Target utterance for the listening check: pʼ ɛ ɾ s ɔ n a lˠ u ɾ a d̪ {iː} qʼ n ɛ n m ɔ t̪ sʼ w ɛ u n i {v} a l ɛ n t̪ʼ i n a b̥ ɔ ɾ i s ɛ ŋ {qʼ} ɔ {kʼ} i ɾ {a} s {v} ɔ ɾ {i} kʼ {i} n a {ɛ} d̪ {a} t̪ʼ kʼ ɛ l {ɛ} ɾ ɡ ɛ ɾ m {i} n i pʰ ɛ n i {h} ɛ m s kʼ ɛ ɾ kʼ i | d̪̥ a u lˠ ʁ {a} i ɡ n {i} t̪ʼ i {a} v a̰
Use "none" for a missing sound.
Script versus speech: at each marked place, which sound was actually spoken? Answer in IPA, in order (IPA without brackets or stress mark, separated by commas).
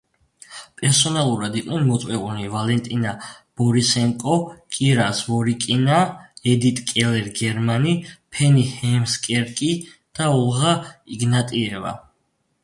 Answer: i, v, kʼ, kʼ, a, v, i, i, ɛ, i, ɛ, a, h, a, a, ɛ